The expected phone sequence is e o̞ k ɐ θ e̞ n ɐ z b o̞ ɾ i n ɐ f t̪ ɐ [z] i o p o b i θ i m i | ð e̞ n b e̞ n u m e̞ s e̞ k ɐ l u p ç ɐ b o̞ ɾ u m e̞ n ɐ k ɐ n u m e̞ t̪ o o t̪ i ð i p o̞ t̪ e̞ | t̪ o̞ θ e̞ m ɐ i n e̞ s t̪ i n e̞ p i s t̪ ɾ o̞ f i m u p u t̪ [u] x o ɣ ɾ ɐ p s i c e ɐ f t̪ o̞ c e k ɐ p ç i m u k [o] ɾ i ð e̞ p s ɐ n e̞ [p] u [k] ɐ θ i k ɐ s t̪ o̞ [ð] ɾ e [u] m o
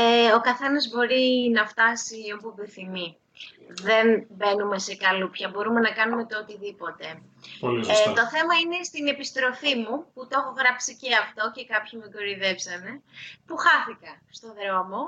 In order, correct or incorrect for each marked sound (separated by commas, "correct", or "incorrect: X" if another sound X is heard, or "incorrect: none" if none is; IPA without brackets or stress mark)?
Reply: incorrect: s, incorrect: o, correct, correct, incorrect: x, correct, incorrect: o